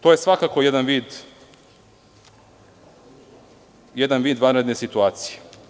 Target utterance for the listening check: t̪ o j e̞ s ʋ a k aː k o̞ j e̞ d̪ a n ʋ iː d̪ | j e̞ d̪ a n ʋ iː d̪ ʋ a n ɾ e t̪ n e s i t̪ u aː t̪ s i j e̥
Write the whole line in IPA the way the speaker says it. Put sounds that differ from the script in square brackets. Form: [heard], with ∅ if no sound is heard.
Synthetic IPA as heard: t̪ o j e̞ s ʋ a k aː k o̞ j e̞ d̪ a n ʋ iː d̪ | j e̞ d̪ a n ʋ iː d̪ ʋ a n ɾ e [d̪] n e s i t̪ u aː t̪ s i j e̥